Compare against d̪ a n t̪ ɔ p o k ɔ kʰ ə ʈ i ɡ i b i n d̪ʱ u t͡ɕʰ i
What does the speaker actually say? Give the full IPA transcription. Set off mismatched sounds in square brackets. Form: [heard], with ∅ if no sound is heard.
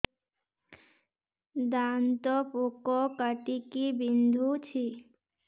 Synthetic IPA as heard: d̪ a n t̪ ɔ p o k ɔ [k] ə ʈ i [k] i b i n d̪ʱ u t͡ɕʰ i